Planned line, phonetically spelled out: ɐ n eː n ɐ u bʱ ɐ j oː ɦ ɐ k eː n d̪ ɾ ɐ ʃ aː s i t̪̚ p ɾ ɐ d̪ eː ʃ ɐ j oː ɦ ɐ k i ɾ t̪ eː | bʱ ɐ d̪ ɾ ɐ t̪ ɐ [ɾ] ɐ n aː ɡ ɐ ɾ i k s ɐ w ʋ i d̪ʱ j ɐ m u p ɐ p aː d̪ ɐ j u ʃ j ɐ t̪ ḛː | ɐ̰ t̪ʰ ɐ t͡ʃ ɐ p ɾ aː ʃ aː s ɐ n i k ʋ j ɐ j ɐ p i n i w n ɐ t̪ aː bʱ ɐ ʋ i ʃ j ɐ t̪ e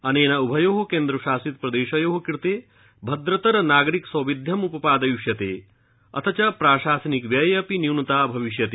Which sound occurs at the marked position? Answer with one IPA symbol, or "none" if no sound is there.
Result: ɾ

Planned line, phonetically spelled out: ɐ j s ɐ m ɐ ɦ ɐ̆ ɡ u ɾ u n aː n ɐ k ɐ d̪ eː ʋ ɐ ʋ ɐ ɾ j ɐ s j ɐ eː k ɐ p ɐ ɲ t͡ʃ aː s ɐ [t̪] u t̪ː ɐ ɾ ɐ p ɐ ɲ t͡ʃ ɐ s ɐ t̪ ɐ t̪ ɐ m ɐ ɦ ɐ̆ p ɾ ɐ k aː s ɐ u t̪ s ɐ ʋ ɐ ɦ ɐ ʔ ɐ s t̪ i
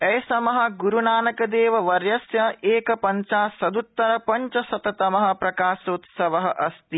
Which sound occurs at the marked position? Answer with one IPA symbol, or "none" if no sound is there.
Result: d̪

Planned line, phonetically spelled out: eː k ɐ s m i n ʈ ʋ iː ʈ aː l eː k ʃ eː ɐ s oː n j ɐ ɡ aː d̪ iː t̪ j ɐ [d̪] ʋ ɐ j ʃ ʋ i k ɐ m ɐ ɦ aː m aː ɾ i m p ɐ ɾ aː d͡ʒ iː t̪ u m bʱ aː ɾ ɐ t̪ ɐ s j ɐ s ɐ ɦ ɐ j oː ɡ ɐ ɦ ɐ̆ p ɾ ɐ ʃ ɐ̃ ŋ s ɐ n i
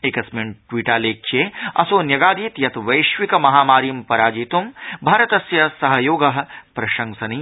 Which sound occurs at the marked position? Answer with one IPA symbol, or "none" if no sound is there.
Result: t̪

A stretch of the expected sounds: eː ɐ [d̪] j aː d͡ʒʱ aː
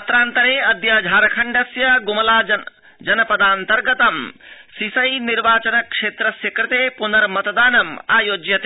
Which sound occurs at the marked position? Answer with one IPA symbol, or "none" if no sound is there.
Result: d̪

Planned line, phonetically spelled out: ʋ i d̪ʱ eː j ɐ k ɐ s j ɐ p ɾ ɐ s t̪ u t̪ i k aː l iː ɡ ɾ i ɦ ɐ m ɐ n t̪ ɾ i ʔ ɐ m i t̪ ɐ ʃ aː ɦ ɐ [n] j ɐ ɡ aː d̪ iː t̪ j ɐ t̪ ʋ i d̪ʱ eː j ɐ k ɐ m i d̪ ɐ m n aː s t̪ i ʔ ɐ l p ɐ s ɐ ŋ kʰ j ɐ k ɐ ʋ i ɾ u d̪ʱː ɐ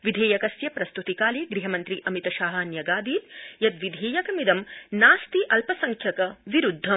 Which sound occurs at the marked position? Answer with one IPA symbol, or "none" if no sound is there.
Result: n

